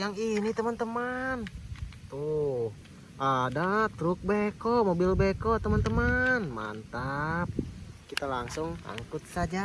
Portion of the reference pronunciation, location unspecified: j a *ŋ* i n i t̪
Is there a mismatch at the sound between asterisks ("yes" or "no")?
no